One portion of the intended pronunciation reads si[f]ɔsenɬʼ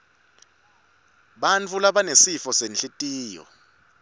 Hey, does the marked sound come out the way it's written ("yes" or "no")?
yes